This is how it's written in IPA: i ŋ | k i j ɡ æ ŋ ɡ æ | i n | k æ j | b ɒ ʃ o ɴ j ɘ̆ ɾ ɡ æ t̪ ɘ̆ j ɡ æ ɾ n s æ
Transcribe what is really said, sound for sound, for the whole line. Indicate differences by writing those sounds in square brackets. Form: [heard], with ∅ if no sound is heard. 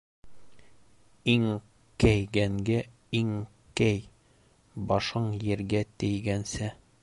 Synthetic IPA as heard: i ŋ | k [æ] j ɡ æ ŋ ɡ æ | i [ŋ] | k æ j | b ɒ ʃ [ɤ] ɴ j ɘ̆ ɾ ɡ æ t̪ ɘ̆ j ɡ æ [∅] n s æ

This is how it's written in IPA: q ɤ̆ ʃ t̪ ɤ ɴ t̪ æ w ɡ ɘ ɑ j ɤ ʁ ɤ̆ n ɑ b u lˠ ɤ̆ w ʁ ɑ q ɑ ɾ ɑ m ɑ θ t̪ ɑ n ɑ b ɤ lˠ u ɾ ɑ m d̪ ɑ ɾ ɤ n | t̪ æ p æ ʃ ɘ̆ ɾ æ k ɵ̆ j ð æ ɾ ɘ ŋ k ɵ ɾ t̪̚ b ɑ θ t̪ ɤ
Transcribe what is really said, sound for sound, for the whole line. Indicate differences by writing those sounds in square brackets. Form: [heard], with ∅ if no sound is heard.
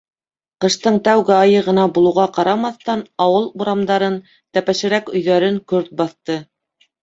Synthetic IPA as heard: q ɤ̆ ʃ t̪ ɤ ɴ t̪ æ w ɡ ɘ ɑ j ɤ ʁ ɤ̆ n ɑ b u lˠ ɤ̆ w ʁ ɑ q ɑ ɾ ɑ m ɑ θ t̪ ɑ n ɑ [w] ɤ lˠ u ɾ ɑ m d̪ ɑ ɾ ɤ n | t̪ æ p æ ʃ ɘ̆ ɾ æ k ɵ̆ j ð æ ɾ ɘ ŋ k ɵ ɾ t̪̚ b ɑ θ t̪ ɤ

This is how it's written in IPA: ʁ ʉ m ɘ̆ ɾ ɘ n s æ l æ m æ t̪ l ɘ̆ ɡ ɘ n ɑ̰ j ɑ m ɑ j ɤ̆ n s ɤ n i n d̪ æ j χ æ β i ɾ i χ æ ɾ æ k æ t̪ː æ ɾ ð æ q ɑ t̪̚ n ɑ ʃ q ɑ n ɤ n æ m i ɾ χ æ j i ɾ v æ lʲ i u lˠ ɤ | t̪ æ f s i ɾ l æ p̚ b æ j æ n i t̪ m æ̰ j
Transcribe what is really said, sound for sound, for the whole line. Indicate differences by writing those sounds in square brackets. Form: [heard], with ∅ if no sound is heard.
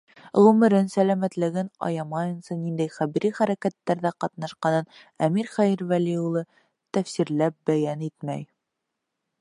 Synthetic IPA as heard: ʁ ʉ m ɘ̆ ɾ ɘ n s æ l æ m æ t̪ l ɘ̆ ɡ ɘ n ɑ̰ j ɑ m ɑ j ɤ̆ n s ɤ n i n d̪ æ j χ æ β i ɾ i χ æ ɾ æ k æ t̪ː æ ɾ ð æ q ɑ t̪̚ n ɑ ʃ q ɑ n ɤ n æ m i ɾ χ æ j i ɾ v æ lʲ i u lˠ ɤ | t̪ æ f s i ɾ l æ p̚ b æ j æ n i t̪ m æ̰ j

